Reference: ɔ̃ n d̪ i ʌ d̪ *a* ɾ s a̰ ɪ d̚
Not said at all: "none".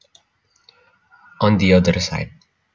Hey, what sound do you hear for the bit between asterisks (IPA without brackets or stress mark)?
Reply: ə